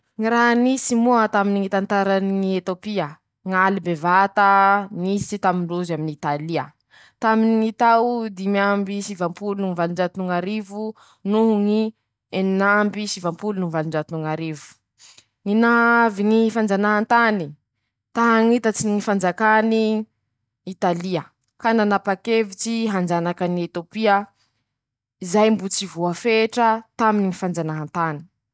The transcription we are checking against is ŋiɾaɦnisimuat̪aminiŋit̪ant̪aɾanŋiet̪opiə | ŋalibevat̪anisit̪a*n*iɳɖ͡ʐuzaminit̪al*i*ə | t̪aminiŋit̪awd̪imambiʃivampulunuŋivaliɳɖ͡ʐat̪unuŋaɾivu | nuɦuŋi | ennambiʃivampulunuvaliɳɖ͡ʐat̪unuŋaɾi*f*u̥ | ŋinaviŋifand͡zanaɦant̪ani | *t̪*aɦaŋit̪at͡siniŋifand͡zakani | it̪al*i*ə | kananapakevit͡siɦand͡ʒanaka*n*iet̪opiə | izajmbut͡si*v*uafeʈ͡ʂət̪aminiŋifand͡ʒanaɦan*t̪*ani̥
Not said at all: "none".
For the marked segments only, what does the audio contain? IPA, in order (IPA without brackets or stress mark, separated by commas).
m, i, v, t̪, i, n, v, t̪